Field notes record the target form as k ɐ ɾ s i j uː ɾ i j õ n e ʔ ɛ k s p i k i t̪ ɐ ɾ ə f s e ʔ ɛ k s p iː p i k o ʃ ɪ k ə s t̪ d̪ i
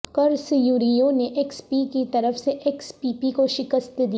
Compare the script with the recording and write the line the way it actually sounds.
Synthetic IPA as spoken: k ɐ ɾ s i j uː ɾ i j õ n e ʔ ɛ k s p i k i t̪ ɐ ɾ ə f s e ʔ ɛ k s p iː p i k o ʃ ɪ k ə s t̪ d̪ i